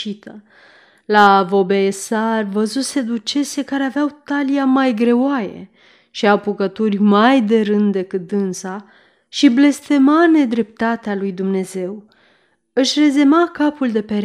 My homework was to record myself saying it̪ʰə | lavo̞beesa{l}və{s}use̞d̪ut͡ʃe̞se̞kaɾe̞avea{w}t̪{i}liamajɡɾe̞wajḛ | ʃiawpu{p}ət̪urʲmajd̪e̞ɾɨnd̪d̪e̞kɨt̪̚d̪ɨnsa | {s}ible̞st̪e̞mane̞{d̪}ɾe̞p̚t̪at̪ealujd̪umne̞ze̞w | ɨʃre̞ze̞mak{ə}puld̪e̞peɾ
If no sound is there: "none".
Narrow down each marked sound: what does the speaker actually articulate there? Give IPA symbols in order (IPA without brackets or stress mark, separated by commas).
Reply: r, z, w, a, k, ʃ, d̪, a